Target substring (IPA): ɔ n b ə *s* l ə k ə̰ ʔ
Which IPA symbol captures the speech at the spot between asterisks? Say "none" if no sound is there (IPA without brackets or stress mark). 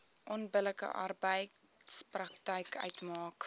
none